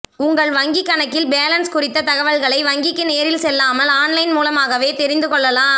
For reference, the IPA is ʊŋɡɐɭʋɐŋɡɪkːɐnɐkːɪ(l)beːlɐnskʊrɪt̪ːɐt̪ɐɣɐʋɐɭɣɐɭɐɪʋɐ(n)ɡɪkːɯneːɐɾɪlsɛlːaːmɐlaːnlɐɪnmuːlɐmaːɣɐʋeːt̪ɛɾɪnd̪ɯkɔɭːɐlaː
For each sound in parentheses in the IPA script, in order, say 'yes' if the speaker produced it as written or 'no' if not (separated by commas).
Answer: yes, no